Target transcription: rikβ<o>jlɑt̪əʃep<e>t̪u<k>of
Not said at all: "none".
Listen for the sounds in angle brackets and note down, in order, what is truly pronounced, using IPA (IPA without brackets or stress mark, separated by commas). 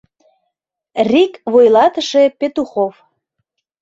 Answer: o, e, x